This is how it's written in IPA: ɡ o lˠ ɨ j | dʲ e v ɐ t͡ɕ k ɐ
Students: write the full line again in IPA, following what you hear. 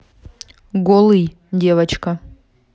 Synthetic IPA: ɡ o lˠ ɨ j | dʲ e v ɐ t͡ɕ k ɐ

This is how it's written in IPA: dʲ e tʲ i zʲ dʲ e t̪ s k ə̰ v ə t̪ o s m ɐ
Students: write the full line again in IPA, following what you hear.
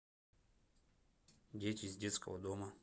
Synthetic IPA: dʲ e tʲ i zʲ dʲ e t̪ s k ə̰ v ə d̪ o m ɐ

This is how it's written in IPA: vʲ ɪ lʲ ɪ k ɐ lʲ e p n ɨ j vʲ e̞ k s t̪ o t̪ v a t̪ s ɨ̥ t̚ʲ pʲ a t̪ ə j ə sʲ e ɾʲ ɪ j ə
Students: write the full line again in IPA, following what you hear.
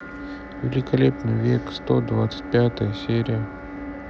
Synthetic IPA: vʲ ɪ lʲ ɪ k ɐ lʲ e p n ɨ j vʲ e̞ k s t̪ o d̪ v a t̪ s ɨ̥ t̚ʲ pʲ a t̪ ə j ə sʲ e ɾʲ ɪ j ə

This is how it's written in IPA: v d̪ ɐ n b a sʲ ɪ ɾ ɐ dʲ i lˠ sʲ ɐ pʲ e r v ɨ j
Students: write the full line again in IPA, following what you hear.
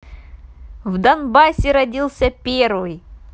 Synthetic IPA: v d̪ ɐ n b a sʲ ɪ ɾ ɐ dʲ i lˠ sʲ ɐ pʲ e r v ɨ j

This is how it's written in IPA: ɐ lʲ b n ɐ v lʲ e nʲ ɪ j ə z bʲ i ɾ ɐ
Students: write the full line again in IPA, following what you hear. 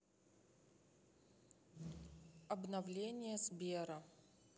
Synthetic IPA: ɐ b n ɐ v lʲ e nʲ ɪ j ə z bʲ e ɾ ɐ

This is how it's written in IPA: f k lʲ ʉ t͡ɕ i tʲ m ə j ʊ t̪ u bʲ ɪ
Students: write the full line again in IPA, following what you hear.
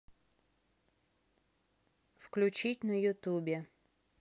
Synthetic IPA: f k lʲ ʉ t͡ɕ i tʲ n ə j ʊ t̪ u bʲ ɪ

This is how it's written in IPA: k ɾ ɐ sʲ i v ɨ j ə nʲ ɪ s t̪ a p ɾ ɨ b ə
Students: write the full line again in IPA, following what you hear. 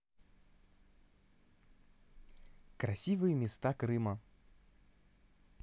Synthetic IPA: k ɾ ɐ sʲ i v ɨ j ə mʲ ɪ s t̪ a k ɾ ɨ m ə

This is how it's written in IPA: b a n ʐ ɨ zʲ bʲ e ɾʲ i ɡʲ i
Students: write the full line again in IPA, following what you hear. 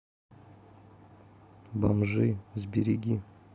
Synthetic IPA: b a m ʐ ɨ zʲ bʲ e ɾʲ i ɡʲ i

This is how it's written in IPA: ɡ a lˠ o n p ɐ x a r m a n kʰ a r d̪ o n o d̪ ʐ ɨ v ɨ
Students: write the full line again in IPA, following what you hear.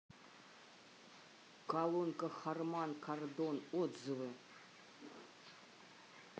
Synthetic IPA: k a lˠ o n k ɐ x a r m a n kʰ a r d̪ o n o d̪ z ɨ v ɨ

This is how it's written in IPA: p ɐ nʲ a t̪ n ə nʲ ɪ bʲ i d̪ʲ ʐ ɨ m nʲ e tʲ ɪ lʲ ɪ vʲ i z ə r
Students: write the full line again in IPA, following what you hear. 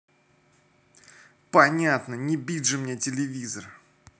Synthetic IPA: p ɐ nʲ a t̪ n ə nʲ ɪ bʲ i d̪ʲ ʐ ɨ m nʲ e tʲ ɪ lʲ ɪ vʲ i z ə r

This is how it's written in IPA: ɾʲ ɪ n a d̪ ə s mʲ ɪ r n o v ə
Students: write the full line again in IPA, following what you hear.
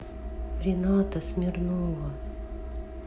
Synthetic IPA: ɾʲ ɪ n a t̪ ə s mʲ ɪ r n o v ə

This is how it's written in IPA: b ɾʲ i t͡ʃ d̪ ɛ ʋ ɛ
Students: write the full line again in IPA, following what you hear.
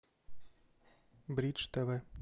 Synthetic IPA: b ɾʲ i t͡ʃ t̪ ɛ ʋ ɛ

